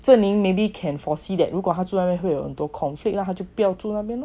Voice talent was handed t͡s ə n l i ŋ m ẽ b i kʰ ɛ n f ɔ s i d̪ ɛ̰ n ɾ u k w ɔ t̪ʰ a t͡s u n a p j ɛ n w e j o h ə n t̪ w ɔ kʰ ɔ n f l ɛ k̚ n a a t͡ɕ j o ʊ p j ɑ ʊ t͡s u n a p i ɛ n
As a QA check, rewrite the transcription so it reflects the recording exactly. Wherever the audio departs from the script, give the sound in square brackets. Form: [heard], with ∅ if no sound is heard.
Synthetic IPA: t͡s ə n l i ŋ m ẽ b i kʰ ɛ n f ɔ s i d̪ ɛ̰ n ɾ u k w ɔ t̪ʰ a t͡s u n a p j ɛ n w e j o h ə n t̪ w ɔ kʰ ɔ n f l [i] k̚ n a a t͡ɕ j o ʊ p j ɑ ʊ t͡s u n a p [j] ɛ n

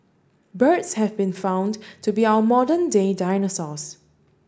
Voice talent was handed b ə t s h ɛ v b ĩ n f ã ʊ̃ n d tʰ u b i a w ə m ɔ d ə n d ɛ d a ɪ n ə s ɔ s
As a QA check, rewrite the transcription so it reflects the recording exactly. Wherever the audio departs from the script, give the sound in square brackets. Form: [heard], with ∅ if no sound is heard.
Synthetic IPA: b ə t s h ɛ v b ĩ n f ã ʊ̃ n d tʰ u b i a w ə m ɔ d ə n d [e] d a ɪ n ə s ɔ s

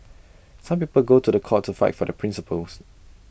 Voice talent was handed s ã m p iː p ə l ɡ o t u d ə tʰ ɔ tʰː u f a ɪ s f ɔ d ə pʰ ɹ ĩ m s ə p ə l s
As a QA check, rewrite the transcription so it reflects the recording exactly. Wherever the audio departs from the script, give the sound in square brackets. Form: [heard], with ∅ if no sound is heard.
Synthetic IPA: s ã m p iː p ə l ɡ o t u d ə [kʰ] ɔ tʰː u f a ɪ [t] f ɔ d ə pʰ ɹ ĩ [n] s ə p ə l s

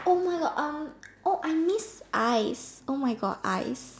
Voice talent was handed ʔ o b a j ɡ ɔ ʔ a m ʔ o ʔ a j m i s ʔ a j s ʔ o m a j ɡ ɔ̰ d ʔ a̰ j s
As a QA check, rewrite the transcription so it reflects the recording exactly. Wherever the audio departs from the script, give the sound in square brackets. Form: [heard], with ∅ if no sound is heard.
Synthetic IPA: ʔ o [m] a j ɡ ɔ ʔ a m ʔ o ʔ a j m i s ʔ a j s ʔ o m a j ɡ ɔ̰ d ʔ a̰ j s

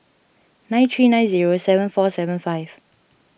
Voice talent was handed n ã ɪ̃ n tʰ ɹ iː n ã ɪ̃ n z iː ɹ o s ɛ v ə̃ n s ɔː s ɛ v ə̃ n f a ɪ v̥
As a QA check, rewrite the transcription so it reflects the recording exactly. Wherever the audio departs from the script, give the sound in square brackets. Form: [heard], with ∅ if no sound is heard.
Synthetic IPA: n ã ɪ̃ n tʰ ɹ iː n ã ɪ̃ n z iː ɹ o s ɛ v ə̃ n [f] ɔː s ɛ v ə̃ n f a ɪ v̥

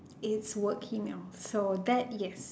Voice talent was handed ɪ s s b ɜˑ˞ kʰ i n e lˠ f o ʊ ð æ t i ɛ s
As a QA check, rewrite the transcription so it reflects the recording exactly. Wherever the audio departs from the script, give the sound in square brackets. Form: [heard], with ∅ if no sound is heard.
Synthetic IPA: ɪ [t] s [w] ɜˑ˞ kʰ i [m] e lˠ [s] o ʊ ð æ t [j] ɛ s

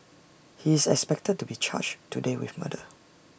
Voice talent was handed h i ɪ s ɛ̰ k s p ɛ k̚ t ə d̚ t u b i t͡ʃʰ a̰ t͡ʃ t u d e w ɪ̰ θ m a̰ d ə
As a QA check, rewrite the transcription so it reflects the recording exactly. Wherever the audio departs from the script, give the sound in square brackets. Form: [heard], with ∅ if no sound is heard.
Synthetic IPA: h i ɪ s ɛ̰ k s p ɛ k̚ t ə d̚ t u b i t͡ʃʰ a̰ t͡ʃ t u d e w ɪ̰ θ m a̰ d ə

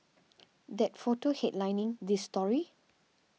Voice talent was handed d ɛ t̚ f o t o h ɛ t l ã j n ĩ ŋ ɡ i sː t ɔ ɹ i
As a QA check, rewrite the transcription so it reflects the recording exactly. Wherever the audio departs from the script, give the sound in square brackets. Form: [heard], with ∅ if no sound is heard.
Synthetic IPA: d ɛ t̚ f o t o h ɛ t l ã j n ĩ ŋ [d] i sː t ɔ ɹ i

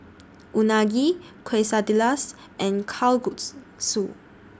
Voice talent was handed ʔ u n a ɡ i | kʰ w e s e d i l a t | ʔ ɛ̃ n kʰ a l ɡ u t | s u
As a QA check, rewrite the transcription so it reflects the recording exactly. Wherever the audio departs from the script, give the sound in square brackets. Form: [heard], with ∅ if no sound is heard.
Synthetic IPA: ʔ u n a ɡ i | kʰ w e s [a] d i l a [s] | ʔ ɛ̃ n kʰ a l ɡ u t | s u

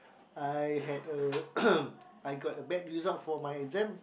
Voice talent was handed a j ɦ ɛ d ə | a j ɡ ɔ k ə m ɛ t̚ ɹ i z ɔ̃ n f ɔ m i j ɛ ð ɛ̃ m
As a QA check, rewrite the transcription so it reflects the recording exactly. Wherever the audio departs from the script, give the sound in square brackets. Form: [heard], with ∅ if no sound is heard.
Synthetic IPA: a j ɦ ɛ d ə | a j ɡ ɔ [t] ə [b] ɛ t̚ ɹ i z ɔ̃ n f ɔ m [a] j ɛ [z] ɛ̃ m

